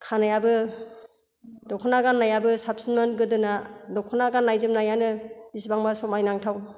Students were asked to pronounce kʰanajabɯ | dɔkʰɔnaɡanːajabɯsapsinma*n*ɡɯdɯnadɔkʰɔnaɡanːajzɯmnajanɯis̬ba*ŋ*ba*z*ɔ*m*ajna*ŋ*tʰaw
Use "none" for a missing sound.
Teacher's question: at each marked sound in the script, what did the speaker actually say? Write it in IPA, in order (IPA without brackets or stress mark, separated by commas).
n, ŋ, s, m, ŋ